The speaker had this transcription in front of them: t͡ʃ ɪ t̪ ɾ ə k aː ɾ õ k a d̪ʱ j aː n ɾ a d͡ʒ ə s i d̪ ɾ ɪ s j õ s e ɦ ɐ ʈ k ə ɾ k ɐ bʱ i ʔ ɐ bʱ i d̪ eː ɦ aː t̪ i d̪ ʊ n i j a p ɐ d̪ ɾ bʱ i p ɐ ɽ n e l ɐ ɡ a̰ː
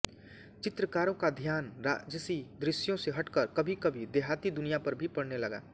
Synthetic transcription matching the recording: t͡ʃ ɪ t̪ ɾ ə k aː ɾ õ k a d̪ʱ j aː n ɾ a d͡ʒ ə s i d̪ ɾ ɪ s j õ s e ɦ ɐ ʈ k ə ɾ k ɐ bʱ i k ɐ bʱ i d̪ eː ɦ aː t̪ i d̪ ʊ n i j a p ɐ ɾ bʱ i p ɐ ɽ n e l ɐ ɡ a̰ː